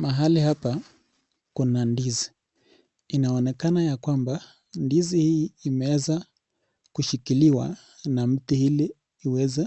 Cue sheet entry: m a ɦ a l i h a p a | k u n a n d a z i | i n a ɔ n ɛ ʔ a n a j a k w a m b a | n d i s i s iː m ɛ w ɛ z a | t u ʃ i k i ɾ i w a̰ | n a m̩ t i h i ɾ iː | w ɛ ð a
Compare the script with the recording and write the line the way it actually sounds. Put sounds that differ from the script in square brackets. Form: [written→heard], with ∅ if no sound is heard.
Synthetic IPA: m a ɦ a l i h a p a | k u n a n d [a→i] z i | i n a ɔ n ɛ [ʔ→k] a n a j a k w a m b a | n d i [s→z] i [s→h] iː m ɛ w ɛ z a | [t→k] u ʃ i k i [ɾ→l] i w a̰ | n a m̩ t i h i [ɾ→l] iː | w ɛ [ð→z] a